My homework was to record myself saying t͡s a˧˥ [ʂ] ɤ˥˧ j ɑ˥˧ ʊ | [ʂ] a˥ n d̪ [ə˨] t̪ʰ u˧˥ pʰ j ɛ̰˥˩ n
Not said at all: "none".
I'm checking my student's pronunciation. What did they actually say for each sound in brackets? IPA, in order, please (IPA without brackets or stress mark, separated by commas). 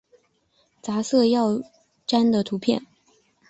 s, ʈ͡ʂ, ə˨